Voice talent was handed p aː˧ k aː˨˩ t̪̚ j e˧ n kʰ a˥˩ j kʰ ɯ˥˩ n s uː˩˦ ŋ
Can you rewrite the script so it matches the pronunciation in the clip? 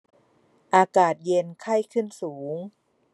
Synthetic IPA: ʔ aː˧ k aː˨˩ t̪̚ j e˧ n kʰ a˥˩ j kʰ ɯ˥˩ n s uː˩˦ ŋ

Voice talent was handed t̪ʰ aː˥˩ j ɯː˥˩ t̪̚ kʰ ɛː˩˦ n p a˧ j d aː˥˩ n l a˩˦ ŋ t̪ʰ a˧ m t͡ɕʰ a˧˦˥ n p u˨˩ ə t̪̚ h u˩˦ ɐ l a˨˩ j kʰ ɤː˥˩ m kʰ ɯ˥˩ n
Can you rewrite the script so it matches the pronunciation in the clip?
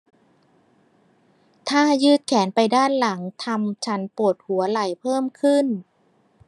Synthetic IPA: t̪ʰ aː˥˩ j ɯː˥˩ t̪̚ kʰ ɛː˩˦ n p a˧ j d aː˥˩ n l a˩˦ ŋ t̪ʰ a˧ m t͡ɕʰ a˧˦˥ n p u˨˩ ə t̪̚ h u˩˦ ɐ l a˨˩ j pʰ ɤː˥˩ m kʰ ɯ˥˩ n

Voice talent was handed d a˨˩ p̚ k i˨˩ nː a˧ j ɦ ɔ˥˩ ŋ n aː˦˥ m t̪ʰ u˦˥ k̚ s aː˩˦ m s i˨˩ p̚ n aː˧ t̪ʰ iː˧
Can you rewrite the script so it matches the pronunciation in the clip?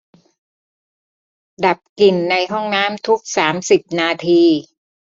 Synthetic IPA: d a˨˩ p̚ k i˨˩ nː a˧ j ɦ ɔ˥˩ ŋ n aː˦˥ m t̪ʰ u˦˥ k̚ s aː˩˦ m s i˨˩ p̚ n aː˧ t̪ʰ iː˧

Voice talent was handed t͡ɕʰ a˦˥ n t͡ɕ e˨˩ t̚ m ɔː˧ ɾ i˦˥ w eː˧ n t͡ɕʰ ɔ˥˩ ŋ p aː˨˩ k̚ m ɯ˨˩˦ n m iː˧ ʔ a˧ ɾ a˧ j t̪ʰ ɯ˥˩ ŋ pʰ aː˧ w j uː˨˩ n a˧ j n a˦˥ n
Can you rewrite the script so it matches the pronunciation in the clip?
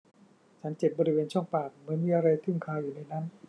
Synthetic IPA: t͡ɕʰ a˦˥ n t͡ɕ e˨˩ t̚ b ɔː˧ ɾ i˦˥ w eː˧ n t͡ɕʰ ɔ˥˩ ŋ p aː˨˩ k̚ m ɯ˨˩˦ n m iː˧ ʔ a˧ ɾ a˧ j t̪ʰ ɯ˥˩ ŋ kʰ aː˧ w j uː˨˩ n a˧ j n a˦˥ n

